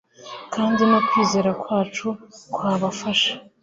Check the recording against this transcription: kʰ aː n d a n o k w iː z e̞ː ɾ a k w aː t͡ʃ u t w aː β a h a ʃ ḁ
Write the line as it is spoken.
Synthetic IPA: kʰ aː n d i n o k w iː z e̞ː ɾ a k w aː t͡ʃ u k w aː β a f a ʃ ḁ